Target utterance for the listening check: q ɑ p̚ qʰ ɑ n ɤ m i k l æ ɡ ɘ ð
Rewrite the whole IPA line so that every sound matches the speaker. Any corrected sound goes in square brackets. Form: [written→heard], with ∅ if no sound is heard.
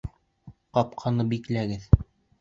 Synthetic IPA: q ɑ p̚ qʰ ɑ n ɤ [m→b] i k l æ ɡ ɘ ð

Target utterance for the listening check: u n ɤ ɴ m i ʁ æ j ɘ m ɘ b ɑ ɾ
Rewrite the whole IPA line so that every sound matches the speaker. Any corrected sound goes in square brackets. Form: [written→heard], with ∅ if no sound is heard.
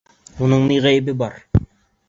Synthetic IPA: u n ɤ ɴ [m→n] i ʁ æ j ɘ [m→b] ɘ b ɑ ɾ

